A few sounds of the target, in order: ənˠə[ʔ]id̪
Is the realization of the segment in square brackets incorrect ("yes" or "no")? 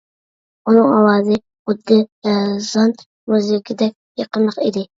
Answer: yes